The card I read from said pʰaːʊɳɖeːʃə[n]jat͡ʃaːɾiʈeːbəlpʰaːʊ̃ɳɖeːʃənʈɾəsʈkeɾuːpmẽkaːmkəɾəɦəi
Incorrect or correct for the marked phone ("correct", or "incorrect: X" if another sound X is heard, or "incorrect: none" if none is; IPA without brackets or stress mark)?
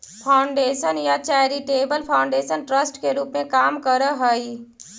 correct